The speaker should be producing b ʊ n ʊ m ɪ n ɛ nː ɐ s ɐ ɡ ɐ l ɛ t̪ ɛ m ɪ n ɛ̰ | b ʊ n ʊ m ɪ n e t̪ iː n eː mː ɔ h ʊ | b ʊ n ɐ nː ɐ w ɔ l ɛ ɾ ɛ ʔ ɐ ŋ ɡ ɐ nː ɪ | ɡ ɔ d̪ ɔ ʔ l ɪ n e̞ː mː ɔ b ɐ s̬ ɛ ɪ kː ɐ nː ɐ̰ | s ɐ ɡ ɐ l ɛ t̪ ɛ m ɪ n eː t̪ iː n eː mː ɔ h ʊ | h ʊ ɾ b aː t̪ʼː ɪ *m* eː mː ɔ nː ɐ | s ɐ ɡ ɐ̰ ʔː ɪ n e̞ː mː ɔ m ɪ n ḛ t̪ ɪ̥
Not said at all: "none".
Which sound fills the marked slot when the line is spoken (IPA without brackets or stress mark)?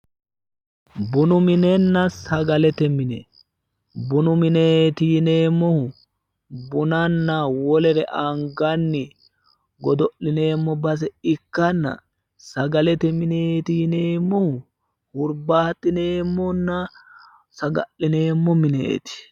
n